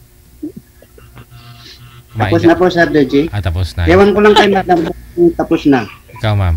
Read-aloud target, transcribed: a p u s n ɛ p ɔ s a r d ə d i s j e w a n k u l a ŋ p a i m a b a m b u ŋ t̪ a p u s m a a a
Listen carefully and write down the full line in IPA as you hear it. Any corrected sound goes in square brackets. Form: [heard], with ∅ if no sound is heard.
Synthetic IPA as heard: a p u s n [a] p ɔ s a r d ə [d͡ʒ] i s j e w a n k u l a ŋ [k] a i m a [d] a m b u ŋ t̪ a p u s [n] a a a

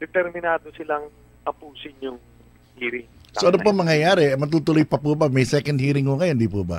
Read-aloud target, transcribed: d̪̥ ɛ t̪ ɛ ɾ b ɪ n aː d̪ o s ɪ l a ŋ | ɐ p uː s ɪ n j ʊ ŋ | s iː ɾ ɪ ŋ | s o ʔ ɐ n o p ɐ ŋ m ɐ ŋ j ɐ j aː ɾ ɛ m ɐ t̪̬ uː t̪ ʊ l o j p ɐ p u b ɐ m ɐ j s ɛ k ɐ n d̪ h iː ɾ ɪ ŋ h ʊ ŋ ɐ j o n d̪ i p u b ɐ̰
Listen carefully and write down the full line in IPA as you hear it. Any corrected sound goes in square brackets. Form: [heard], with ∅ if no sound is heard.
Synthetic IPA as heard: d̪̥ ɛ t̪ ɛ ɾ [m] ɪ n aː d̪ o s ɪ l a ŋ | ɐ p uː s ɪ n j ʊ ŋ | [h] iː ɾ ɪ ŋ | s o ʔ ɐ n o p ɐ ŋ m ɐ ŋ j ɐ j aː ɾ ɛ m ɐ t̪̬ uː t̪ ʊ l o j p ɐ p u b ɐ m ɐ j s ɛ k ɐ n d̪ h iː ɾ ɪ ŋ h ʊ ŋ ɐ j o n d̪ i p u b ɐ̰

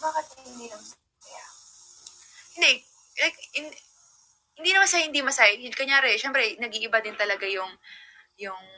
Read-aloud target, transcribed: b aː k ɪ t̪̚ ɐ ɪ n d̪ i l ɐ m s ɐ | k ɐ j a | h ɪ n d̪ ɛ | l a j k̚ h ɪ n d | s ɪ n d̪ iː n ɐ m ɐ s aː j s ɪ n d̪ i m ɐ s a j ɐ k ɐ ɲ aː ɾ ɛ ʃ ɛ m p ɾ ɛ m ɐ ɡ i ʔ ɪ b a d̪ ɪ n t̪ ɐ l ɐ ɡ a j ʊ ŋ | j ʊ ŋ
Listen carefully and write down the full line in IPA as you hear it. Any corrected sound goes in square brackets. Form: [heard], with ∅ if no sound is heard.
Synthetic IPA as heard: b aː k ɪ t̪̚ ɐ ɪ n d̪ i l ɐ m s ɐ | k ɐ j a | h ɪ n d̪ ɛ | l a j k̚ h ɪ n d | [h] ɪ n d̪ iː n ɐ m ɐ s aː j [h] ɪ n d̪ i m ɐ s a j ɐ k ɐ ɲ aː ɾ ɛ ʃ ɛ m p ɾ ɛ [n] ɐ ɡ i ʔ ɪ b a d̪ ɪ n t̪ ɐ l ɐ ɡ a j ʊ ŋ | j ʊ ŋ

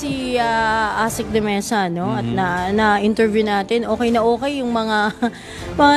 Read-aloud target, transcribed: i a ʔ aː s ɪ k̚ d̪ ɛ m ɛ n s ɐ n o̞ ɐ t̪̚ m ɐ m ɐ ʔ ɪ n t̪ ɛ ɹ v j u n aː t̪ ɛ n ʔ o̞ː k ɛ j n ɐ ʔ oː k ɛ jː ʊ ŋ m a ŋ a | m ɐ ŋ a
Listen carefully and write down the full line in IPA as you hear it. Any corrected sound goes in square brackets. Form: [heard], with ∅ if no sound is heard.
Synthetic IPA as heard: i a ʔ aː s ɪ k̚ d̪ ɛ m ɛ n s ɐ n o̞ ɐ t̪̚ [n] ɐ [n] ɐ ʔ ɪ n t̪ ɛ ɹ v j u n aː t̪ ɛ n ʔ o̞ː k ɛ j n ɐ ʔ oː k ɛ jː ʊ ŋ m [ɐ] ŋ a | m ɐ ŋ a

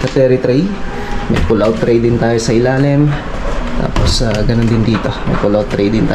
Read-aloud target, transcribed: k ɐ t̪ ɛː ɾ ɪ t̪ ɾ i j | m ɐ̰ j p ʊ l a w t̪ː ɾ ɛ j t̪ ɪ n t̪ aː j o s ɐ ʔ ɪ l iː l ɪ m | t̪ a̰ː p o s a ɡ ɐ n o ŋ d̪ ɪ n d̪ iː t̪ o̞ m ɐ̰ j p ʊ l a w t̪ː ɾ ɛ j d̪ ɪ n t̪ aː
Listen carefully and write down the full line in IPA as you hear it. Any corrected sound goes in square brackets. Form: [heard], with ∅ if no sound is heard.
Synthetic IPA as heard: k ɐ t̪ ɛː ɾ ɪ t̪ ɾ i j | m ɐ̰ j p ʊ l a w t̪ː ɾ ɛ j [d̪] ɪ n t̪ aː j o s ɐ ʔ ɪ l [aː] l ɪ m | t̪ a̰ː p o s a ɡ ɐ n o [n] d̪ ɪ n d̪ iː t̪ o̞ m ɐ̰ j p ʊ l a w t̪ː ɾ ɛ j d̪ ɪ n t̪ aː

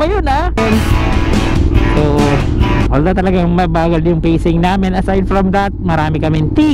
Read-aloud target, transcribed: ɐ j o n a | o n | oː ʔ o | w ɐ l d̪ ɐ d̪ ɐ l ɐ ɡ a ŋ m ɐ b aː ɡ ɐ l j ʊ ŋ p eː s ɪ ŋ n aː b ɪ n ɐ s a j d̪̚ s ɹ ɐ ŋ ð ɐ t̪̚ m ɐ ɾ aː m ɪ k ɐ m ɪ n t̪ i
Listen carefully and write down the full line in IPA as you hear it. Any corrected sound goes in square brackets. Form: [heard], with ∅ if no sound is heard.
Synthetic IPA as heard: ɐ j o n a | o n | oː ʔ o | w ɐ l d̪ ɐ [t̪] ɐ l ɐ ɡ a ŋ m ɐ b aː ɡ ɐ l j ʊ ŋ p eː s ɪ ŋ n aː [m] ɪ n ɐ s a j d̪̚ [f] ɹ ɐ [m] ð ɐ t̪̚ m ɐ ɾ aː m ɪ k ɐ m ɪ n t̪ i

